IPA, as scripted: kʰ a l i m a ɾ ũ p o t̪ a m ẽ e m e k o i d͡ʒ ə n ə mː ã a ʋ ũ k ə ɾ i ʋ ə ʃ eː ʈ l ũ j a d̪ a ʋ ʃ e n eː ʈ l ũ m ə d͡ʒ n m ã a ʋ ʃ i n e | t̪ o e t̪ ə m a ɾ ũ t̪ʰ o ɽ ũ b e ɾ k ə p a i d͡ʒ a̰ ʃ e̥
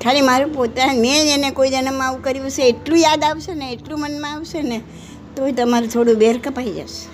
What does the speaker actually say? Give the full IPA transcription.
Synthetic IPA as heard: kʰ a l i m a ɾ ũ p o t̪ a m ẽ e n e k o i d͡ʒ ə n ə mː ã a ʋ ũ k ə ɾ i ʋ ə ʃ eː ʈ l ũ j a d̪ a ʋ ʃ e n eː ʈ l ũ m ə n m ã a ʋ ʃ e n e | t̪ o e t̪ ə m a ɾ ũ t̪ʰ o ɽ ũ b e ɾ k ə p a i d͡ʒ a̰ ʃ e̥